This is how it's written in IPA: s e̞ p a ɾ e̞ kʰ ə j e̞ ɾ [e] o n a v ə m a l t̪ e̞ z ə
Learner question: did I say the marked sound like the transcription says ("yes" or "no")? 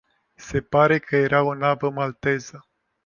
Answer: no